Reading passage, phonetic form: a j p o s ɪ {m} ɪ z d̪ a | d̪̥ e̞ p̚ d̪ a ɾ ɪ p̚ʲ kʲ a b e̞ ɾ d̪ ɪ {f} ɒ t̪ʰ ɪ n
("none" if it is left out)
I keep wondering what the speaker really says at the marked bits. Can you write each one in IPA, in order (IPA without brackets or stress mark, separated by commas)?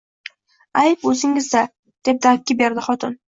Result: ŋ, χ